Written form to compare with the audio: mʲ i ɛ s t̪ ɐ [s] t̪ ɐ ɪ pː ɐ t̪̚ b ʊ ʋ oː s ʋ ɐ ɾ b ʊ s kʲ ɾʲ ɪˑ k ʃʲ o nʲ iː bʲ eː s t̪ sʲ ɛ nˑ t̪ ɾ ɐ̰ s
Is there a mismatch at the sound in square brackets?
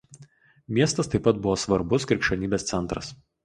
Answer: no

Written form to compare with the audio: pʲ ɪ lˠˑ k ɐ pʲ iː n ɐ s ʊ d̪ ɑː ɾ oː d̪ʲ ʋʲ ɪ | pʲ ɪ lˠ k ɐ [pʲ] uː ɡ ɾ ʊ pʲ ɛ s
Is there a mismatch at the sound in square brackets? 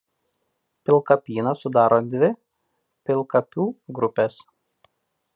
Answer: no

